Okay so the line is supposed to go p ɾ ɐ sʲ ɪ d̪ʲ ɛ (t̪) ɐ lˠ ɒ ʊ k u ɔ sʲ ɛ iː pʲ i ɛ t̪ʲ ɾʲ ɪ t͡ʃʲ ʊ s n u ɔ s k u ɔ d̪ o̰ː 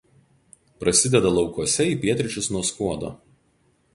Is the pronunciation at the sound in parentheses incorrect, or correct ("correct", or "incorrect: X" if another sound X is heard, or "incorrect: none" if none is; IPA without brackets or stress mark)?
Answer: incorrect: d̪